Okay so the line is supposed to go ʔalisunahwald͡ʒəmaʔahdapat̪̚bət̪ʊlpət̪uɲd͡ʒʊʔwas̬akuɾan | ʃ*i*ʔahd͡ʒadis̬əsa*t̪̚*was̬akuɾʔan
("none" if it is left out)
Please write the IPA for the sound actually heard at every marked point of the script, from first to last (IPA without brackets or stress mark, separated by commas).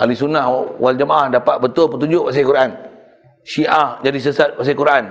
i, t̪̚